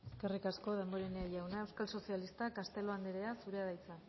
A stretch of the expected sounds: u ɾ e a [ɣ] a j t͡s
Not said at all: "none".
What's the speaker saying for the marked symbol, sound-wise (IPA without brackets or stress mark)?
ð